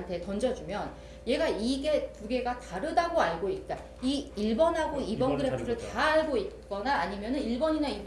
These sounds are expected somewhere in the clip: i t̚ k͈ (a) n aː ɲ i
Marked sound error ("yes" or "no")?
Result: yes